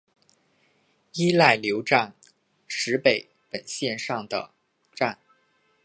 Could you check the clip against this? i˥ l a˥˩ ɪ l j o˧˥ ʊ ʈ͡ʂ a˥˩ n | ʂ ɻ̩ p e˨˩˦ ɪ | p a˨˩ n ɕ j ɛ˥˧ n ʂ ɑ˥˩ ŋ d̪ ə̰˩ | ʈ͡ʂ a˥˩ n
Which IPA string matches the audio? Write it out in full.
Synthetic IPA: i˥ l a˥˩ ɪ l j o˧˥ ʊ ʈ͡ʂ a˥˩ n | ʂ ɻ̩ p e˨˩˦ ɪ | p ə˨˩ n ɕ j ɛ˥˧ n ʂ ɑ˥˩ ŋ d̪ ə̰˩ | ʈ͡ʂ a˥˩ n

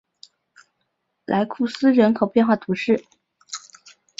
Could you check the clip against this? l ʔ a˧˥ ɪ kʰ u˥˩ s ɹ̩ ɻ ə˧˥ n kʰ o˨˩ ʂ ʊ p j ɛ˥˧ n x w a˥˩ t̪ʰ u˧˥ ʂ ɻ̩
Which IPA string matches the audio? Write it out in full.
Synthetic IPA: l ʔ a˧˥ ɪ kʰ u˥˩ s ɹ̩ ɻ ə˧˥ n kʰ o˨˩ ʊ p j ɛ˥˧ n x w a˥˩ t̪ʰ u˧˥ ʂ ɻ̩

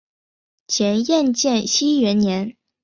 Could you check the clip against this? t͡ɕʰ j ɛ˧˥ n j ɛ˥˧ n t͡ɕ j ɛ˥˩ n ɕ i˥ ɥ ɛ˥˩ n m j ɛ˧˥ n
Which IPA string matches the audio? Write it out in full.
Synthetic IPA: t͡ɕʰ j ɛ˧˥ n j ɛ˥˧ n t͡ɕ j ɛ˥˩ n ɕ i˥ ɥ ɛ˧˥ n n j ɛ˧˥ n

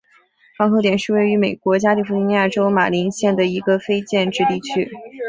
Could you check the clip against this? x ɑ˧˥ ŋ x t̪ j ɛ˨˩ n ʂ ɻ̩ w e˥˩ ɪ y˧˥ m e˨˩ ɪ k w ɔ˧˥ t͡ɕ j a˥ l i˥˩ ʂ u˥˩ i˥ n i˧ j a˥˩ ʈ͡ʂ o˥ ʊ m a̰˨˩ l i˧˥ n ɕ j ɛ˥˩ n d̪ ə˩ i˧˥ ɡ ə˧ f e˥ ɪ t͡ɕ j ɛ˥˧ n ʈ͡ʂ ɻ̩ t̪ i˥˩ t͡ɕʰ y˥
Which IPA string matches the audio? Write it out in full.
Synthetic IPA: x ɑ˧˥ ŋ x t̪ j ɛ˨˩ n ʂ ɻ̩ w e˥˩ ɪ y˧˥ m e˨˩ ɪ k w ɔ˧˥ t͡ɕ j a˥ l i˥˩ f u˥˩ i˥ n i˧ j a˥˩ ʈ͡ʂ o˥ ʊ m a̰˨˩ l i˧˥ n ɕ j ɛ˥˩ n d̪ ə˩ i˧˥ ɡ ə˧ f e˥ ɪ t͡ɕ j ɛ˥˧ n ʈ͡ʂ ɻ̩ t̪ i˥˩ t͡ɕʰ y˥

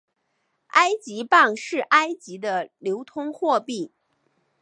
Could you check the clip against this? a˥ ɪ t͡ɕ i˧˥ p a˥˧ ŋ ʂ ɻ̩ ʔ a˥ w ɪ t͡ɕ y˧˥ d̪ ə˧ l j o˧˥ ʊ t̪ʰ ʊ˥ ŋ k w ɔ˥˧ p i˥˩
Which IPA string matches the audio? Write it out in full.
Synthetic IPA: a˥ ɪ t͡ɕ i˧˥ p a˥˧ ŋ ʂ ɻ̩ ʔ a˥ ɪ t͡ɕ i˧˥ d̪ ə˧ l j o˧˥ ʊ t̪ʰ ʊ˥ ŋ x w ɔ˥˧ p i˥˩

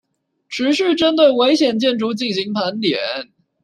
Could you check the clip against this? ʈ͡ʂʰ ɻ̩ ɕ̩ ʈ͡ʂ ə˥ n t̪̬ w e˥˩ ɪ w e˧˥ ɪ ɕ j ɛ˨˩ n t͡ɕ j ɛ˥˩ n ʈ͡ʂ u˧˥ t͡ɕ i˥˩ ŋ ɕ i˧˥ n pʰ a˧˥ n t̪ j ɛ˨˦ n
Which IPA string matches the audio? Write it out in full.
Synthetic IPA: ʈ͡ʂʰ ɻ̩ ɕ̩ ʈ͡ʂ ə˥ n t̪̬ w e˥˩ ɪ w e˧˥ ɪ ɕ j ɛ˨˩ n t͡ɕ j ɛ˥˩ n ʈ͡ʂ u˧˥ t͡ɕ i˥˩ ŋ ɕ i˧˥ ŋ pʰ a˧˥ n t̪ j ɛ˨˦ n

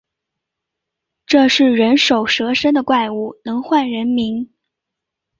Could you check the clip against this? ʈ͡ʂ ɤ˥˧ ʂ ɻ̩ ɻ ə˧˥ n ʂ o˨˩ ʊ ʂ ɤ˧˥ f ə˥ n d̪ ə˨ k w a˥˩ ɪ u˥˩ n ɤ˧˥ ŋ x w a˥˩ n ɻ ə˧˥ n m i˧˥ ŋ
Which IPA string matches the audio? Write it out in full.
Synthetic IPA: ʈ͡ʂ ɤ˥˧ ʂ ɻ̩ ɻ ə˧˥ n ʂ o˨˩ ʊ ʂ ɤ˧˥ ʂ ə˥ n d̪ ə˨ k w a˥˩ ɪ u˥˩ n ɤ˧˥ ŋ x w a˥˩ n ɻ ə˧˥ n m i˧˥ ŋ

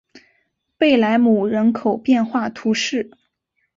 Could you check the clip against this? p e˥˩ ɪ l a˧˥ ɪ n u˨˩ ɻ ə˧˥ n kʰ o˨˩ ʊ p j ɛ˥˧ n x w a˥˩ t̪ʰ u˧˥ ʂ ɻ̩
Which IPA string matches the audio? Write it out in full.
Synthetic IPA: p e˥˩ ɪ l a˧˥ ɪ m u˨˩ ɻ ə˧˥ n kʰ o˨˩ ʊ p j ɛ˥˧ n x w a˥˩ t̪ʰ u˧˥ ʂ ɻ̩

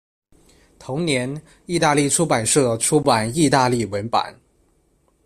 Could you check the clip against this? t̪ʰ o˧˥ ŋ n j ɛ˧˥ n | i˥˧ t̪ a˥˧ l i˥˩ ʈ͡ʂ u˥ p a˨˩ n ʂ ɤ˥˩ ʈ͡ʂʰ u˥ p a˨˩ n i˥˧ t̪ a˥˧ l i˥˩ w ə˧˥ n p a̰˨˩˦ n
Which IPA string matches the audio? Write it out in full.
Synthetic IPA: t̪ʰ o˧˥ ŋ n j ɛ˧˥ n | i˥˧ t̪ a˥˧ l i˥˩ ʈ͡ʂʰ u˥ p a˨˩ n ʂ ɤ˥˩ ʈ͡ʂʰ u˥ p a˨˩ n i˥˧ t̪ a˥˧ l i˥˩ w ə˧˥ n p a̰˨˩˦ n

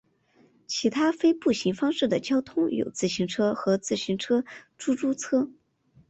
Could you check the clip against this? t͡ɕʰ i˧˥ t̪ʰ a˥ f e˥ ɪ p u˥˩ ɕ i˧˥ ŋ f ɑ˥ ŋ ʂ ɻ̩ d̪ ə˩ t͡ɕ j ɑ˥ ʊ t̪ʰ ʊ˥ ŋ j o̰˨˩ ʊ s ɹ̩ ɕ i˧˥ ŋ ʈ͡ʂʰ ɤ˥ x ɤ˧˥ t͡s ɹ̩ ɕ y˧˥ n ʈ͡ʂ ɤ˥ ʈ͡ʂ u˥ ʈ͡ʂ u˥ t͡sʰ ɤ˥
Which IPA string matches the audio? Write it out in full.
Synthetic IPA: t͡ɕʰ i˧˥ t̪ʰ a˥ f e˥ ɪ p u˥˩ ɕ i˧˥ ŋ f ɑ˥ ŋ ʂ ɻ̩ d̪ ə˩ t͡ɕ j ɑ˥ ʊ t̪ʰ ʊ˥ ŋ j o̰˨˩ ʊ t͡s ɹ̩ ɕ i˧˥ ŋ ʈ͡ʂʰ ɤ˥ x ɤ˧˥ t͡s ɹ̩ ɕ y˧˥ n ʈ͡ʂʰ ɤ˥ ʈ͡ʂ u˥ ʈ͡ʂ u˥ t͡sʰ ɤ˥

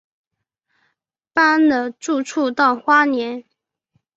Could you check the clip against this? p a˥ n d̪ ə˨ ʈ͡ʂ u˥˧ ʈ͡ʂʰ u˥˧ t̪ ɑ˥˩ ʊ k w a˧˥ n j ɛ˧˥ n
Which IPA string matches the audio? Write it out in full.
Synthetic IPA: p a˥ n d̪ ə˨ ʈ͡ʂ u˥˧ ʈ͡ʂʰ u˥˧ t̪ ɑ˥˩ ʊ x w a˥ n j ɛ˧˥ n

